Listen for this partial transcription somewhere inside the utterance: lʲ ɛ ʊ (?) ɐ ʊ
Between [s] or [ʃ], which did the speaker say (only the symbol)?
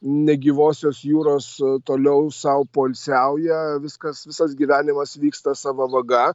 s